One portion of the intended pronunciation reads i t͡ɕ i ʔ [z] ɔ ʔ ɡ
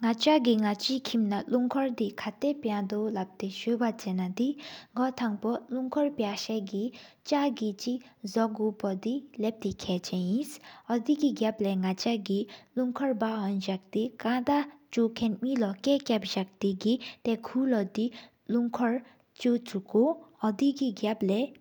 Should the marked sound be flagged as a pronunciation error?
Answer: no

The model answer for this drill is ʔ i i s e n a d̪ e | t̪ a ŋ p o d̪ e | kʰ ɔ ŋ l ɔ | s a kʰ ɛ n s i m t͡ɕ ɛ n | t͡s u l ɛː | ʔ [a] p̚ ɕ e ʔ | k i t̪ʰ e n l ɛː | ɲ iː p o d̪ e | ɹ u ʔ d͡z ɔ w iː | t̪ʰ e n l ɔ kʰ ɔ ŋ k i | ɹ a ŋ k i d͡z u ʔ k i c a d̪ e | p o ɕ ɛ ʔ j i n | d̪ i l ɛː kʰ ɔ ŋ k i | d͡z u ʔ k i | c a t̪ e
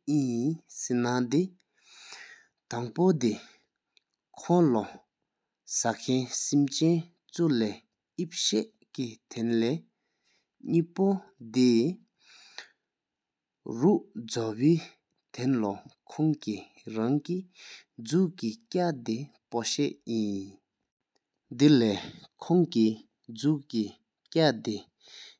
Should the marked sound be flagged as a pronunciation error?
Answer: yes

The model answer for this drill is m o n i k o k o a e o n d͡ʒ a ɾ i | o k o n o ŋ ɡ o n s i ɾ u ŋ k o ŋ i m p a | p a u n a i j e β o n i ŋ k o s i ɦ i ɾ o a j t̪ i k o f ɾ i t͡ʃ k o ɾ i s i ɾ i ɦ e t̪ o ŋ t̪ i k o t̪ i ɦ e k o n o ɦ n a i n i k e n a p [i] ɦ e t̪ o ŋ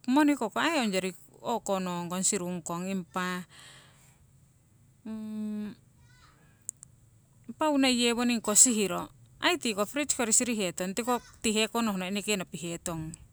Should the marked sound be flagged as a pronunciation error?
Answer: no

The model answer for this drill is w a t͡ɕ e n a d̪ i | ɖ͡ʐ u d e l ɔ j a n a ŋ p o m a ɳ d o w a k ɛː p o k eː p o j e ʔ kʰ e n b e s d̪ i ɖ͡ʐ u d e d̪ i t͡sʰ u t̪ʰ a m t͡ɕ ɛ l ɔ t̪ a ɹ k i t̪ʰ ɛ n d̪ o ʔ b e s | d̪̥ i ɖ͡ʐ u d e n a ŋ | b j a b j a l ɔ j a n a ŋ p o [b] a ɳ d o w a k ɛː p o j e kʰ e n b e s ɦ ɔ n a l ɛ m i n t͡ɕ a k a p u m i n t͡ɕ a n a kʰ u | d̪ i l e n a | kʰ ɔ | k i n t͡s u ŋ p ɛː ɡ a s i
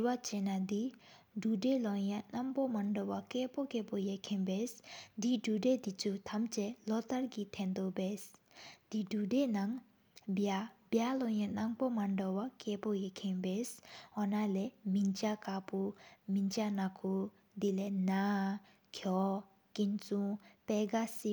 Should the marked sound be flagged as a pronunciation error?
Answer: yes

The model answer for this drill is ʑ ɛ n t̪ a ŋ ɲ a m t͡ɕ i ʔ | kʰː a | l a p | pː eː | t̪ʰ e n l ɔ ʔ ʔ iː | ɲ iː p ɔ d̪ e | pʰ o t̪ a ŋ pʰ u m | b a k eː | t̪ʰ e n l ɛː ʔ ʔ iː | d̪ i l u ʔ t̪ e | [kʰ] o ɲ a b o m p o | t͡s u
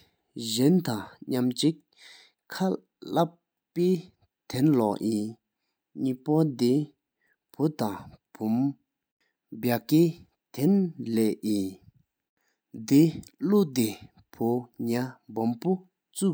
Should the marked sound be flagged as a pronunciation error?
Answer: yes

